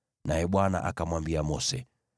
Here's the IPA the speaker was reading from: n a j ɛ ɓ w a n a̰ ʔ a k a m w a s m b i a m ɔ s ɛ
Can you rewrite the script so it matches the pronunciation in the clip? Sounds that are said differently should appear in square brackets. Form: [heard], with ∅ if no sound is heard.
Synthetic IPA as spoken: n a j ɛ ɓ w a n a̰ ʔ a k a m w a [∅] m b i a m ɔ s ɛ